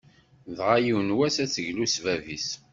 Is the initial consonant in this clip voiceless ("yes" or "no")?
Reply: no